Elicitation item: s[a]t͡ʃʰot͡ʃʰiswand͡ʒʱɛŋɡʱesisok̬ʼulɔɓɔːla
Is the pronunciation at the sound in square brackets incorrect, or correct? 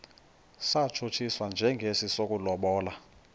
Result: correct